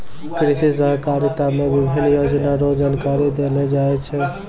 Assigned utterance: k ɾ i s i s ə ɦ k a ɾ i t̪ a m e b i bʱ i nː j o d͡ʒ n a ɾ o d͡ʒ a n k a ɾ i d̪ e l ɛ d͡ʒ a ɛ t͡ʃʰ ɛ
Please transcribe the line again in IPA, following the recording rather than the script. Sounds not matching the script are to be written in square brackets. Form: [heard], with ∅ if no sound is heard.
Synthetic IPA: k ɾ i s i s ə ɦ k a ɾ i t̪ a m e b i bʱ i [n] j o d͡ʒ n a ɾ o d͡ʒ a n k a ɾ i d̪ e l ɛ d͡ʒ a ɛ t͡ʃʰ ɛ